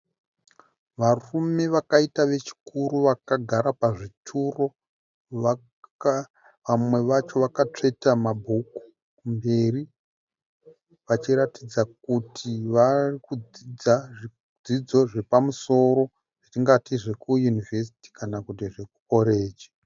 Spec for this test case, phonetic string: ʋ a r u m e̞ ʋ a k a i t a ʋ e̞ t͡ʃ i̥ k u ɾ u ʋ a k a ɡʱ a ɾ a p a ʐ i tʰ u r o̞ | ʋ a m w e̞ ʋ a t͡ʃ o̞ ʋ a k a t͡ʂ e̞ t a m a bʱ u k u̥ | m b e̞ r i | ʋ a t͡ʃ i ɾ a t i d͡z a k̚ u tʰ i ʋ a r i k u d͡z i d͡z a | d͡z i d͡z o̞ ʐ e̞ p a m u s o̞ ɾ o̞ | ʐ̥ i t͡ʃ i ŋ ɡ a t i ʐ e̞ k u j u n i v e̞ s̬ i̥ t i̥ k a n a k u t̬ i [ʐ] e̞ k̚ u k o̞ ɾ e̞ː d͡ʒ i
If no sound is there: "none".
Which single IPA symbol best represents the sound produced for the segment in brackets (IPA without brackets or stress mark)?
ʐ